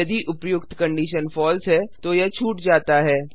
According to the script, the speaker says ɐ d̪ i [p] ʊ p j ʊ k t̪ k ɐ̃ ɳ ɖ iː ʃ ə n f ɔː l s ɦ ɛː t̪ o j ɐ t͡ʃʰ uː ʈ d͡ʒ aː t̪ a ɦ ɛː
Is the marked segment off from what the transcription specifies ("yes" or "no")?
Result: yes